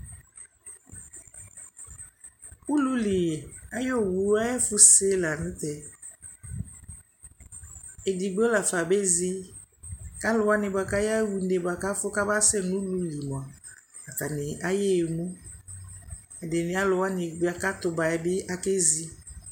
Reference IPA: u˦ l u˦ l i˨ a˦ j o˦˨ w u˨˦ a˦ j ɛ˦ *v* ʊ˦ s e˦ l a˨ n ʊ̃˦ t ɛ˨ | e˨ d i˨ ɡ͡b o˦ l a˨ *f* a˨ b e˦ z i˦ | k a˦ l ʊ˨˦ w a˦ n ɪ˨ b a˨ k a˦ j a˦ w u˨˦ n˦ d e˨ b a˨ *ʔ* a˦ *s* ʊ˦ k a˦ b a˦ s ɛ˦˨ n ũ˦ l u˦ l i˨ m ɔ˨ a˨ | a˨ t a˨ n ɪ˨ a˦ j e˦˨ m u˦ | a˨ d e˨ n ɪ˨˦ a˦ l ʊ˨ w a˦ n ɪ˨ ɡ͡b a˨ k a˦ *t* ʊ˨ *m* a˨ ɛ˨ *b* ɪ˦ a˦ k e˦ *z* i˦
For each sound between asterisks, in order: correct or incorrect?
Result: incorrect, correct, incorrect, incorrect, correct, incorrect, correct, correct

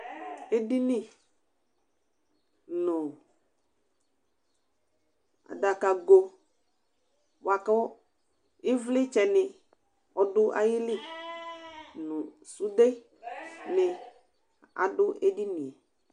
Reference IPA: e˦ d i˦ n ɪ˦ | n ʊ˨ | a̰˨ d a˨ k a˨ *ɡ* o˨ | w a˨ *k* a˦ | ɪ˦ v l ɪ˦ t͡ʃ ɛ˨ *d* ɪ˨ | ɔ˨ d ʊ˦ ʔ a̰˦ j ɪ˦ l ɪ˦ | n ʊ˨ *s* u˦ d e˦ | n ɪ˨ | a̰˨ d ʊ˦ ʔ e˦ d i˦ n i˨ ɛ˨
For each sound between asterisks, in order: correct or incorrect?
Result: correct, correct, incorrect, correct

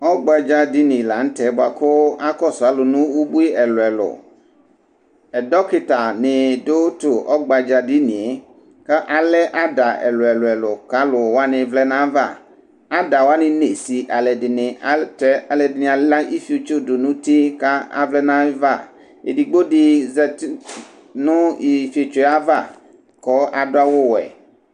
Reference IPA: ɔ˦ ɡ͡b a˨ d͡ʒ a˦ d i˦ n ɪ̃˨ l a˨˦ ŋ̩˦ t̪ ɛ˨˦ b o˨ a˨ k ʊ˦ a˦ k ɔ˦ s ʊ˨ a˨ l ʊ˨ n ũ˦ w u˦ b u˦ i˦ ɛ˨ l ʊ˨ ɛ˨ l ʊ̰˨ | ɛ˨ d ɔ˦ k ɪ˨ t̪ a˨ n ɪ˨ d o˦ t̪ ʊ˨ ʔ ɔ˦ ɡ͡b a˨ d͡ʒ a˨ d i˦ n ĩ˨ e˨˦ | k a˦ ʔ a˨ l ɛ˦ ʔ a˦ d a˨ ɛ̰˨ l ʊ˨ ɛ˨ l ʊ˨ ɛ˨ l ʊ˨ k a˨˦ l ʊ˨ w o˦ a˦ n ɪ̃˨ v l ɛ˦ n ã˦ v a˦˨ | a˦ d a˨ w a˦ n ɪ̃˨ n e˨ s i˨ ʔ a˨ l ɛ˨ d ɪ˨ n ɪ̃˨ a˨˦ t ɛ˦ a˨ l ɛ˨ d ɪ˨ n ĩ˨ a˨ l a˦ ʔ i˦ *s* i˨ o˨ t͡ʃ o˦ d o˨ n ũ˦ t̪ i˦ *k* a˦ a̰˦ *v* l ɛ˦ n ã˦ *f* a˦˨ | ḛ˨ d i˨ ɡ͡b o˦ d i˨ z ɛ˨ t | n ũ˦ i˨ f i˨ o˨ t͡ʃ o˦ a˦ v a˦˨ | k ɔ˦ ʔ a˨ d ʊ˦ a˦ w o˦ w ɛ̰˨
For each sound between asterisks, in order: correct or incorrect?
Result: incorrect, correct, correct, incorrect

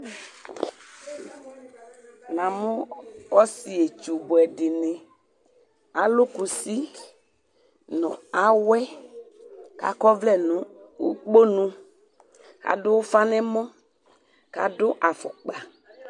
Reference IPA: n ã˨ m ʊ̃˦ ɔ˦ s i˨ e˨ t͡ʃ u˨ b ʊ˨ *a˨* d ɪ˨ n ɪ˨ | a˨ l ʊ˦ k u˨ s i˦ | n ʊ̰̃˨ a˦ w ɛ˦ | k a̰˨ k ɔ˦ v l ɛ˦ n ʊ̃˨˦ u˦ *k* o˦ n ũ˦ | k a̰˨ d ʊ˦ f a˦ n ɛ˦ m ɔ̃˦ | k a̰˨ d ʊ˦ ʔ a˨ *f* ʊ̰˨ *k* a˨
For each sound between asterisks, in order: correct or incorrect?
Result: incorrect, incorrect, correct, incorrect

